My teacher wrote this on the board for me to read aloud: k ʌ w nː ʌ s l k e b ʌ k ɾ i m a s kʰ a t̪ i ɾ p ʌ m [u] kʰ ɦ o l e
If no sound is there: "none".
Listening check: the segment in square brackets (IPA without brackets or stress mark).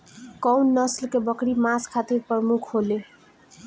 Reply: u